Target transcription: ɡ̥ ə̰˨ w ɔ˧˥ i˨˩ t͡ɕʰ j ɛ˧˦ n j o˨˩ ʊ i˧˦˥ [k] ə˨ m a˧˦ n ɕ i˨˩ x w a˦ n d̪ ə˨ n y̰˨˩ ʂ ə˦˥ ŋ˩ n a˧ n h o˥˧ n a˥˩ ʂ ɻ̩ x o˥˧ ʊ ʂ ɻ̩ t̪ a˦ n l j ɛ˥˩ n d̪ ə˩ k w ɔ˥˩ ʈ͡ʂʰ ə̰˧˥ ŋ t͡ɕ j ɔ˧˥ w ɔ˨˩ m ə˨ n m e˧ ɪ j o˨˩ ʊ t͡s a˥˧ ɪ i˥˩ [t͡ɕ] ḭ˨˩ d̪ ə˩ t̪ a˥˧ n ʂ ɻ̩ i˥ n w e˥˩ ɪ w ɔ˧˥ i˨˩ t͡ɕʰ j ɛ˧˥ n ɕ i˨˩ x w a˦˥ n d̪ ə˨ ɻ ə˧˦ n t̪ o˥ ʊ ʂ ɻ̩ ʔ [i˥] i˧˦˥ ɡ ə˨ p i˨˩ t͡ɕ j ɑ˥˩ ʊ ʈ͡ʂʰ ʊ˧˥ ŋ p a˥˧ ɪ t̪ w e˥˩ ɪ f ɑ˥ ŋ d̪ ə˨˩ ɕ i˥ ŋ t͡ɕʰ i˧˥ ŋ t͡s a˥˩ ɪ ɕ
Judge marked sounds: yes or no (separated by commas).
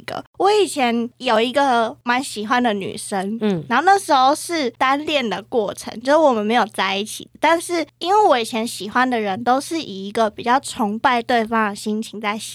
no, no, no